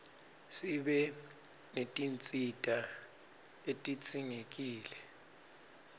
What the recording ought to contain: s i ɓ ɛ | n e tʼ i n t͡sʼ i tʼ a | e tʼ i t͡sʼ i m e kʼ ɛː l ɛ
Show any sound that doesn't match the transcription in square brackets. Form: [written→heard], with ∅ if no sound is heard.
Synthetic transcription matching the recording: s i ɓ ɛ | n e tʼ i n t͡sʼ i tʼ a | e tʼ i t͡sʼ i [m→ŋ] e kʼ [ɛː→iː] l ɛ